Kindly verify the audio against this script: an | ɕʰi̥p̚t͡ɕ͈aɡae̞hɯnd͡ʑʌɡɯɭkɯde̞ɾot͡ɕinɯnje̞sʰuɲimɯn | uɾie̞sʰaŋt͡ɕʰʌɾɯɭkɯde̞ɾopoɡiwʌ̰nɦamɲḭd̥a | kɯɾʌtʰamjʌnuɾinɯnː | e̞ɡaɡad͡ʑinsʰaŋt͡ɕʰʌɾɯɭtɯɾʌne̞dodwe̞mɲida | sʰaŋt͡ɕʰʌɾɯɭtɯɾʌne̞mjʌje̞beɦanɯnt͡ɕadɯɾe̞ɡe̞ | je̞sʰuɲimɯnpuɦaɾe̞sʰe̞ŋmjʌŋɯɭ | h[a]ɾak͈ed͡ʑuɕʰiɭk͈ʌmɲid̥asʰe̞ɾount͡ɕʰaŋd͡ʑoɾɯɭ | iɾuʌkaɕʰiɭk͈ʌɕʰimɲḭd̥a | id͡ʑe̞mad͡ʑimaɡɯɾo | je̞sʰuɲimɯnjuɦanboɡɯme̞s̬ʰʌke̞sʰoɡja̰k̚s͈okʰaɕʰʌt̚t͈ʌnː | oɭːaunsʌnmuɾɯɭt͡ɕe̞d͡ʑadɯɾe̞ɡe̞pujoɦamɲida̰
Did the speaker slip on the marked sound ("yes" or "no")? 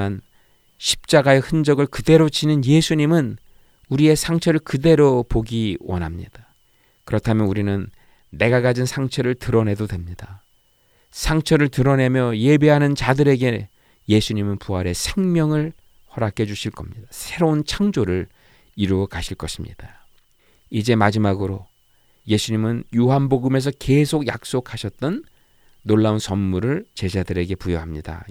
yes